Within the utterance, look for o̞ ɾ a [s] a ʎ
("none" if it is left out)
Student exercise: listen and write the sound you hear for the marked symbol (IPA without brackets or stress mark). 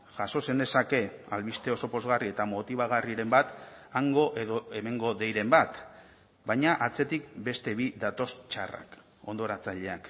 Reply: t͡s